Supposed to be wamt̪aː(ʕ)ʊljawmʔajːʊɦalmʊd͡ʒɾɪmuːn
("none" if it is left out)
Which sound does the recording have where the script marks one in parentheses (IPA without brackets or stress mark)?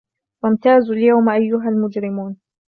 z